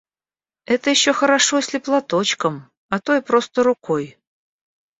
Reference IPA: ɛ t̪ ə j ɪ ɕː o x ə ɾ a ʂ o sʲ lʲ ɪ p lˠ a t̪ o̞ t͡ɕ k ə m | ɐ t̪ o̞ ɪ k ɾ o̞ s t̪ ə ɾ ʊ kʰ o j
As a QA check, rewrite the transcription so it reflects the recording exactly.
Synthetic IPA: ɛ t̪ ə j ɪ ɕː o x ə ɾ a ʂ o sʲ lʲ ɪ p lˠ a t̪ o̞ t͡ɕ k ə m | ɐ t̪ o̞ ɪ p ɾ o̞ s t̪ ə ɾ ʊ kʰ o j